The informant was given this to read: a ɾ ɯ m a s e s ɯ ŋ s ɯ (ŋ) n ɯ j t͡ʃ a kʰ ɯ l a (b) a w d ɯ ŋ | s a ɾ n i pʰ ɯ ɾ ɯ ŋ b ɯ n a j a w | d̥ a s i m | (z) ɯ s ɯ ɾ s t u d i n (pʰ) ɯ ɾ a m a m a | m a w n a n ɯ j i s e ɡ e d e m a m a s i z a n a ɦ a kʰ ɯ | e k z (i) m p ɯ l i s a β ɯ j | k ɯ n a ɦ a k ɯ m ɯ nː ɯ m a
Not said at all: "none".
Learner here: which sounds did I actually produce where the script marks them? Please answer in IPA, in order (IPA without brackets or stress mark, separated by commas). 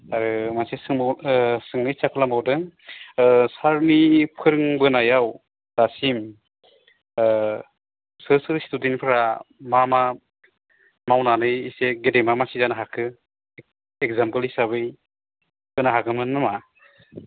ŋ, m, s, pʰ, a